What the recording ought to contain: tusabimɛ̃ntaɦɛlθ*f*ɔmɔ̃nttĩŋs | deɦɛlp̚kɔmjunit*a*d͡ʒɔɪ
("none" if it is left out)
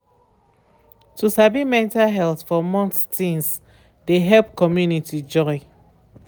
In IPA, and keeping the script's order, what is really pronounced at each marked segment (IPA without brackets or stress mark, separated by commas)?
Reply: f, i